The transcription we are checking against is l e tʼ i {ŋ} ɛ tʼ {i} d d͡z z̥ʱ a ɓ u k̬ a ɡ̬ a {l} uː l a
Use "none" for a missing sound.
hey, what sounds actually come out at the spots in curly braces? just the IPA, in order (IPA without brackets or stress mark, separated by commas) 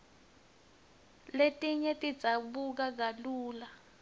ɲ, i, l